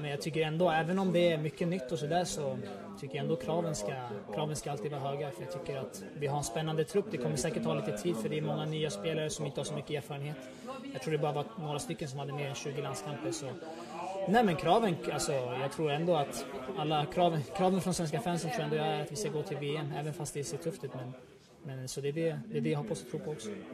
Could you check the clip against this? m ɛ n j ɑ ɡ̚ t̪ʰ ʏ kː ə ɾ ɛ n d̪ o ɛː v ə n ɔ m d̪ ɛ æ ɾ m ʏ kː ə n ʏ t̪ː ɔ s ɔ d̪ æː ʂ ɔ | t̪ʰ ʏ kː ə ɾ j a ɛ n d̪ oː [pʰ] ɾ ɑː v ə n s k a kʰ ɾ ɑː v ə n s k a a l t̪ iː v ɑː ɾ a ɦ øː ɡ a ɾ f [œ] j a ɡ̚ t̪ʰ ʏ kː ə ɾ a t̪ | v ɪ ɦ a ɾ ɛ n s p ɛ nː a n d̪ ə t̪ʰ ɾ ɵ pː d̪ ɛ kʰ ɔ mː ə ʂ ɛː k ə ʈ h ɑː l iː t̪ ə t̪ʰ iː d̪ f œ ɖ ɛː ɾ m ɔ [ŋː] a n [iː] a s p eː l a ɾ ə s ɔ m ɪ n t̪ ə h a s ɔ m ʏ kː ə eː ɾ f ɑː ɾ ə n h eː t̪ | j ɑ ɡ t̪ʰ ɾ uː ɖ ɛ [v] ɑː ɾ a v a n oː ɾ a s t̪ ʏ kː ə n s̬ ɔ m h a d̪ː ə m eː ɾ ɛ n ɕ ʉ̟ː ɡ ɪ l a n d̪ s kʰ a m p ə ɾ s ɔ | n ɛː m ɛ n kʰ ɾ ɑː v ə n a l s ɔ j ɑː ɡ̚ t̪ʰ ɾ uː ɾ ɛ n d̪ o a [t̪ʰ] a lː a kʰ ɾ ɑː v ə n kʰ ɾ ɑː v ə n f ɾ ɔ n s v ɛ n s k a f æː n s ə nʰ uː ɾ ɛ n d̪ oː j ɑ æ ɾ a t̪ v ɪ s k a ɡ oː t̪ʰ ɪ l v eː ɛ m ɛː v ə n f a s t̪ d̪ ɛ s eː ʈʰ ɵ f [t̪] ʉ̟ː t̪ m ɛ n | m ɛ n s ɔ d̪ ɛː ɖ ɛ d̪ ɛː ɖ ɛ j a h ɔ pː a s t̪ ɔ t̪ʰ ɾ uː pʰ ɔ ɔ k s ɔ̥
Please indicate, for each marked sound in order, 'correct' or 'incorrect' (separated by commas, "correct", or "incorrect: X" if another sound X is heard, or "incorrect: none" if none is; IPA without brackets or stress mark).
incorrect: kʰ, correct, correct, incorrect: yː, incorrect: b, incorrect: t̪, correct